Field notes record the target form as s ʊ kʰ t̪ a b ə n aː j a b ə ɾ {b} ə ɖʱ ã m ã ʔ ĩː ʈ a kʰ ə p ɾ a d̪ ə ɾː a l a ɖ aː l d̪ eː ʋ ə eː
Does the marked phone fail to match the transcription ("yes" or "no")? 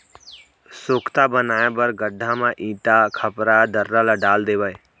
yes